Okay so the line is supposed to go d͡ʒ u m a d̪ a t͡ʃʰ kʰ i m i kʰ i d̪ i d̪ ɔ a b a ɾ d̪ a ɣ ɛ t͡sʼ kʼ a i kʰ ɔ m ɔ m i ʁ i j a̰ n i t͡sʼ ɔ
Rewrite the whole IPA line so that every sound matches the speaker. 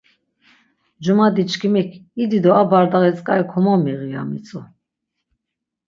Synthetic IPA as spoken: d͡ʒ u m a d̪ i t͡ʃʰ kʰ i m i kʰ i d̪ i d̪ ɔ a b a ɾ d̪ a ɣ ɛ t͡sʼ kʼ a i kʰ ɔ m ɔ m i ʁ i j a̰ m i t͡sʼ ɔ